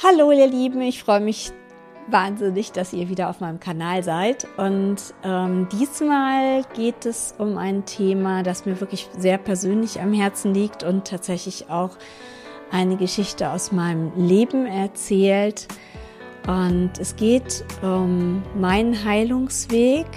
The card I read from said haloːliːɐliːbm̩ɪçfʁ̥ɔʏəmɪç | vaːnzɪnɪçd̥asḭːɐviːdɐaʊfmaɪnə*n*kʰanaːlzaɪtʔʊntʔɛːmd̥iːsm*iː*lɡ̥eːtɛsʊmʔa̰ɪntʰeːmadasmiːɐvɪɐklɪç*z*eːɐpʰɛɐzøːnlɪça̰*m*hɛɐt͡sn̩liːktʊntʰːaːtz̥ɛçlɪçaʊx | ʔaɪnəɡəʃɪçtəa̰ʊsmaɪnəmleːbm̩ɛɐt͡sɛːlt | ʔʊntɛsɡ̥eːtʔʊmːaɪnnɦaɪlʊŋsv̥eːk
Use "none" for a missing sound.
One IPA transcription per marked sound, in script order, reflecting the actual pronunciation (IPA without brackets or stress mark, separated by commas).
m, aː, z, m